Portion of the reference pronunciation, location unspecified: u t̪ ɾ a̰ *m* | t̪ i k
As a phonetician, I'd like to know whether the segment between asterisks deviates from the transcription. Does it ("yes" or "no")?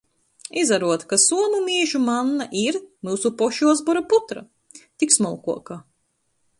yes